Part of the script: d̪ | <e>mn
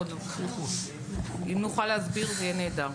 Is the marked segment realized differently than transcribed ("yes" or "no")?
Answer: yes